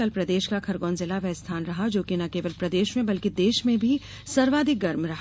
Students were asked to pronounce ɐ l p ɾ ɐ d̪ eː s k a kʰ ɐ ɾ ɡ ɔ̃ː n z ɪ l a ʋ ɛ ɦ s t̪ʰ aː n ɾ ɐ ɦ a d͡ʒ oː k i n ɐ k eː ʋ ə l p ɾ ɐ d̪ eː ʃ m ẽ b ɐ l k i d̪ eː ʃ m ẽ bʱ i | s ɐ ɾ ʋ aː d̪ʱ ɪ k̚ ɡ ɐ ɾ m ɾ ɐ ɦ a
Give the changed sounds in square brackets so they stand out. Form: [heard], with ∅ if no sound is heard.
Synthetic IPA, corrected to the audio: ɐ l p ɾ ɐ d̪ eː [ʃ] k a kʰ ɐ ɾ ɡ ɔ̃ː n z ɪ l a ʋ ɛ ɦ s t̪ʰ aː n ɾ ɐ ɦ a d͡ʒ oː k i n ɐ k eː ʋ ə l p ɾ ɐ d̪ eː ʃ m ẽ b ɐ l k i d̪ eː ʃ m ẽ bʱ i | s ɐ ɾ ʋ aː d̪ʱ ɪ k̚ ɡ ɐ ɾ m ɾ ɐ ɦ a